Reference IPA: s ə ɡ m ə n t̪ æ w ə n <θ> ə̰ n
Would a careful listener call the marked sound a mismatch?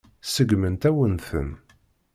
no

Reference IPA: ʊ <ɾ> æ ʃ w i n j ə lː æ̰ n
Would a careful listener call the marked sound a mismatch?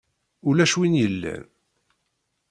yes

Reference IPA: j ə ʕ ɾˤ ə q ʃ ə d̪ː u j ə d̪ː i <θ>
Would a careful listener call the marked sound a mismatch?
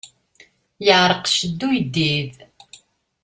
yes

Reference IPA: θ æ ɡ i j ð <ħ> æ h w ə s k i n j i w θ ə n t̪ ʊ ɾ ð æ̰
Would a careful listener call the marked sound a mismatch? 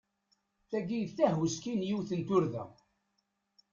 yes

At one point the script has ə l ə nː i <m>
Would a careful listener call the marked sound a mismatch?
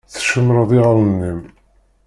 no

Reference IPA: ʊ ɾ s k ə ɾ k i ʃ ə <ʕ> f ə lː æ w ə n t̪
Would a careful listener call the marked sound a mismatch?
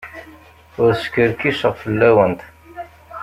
yes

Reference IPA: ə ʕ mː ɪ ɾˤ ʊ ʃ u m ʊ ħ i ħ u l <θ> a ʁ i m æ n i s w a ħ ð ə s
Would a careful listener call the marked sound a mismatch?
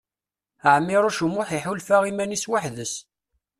yes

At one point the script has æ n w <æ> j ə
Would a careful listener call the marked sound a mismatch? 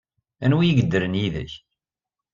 yes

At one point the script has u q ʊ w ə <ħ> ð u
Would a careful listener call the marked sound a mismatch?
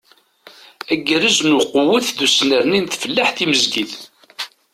yes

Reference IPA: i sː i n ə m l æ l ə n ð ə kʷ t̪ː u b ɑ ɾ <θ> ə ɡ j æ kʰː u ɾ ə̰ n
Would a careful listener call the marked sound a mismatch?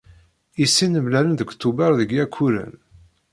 yes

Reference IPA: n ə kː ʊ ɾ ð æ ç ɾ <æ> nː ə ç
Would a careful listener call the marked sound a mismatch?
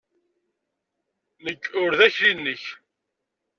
yes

